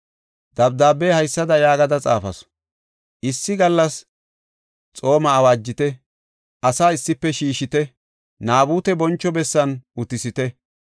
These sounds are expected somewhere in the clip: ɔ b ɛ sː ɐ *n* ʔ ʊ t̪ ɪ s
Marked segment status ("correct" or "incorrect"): correct